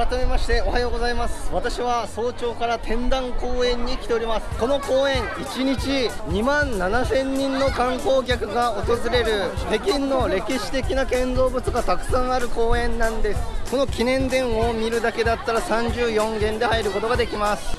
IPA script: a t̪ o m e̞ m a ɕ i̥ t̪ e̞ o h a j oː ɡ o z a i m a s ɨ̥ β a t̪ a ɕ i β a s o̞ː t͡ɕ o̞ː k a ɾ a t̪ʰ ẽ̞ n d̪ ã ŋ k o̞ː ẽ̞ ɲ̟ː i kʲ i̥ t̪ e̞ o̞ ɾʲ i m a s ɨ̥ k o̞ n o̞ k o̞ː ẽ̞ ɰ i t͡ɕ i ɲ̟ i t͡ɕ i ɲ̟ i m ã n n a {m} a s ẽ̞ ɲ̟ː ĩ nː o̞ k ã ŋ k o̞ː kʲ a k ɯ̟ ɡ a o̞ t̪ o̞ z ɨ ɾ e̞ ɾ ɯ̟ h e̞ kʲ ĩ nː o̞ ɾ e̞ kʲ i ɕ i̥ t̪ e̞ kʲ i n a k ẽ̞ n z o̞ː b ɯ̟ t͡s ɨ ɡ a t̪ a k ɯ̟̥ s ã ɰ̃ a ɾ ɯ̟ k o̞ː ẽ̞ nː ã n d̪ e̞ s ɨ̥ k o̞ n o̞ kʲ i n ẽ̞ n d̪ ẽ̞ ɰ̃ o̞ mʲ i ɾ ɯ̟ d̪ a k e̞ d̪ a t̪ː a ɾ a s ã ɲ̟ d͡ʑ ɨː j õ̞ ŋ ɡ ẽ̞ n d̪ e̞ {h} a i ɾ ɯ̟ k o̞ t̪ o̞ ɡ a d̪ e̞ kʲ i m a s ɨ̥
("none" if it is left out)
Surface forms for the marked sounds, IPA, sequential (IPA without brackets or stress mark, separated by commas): n, h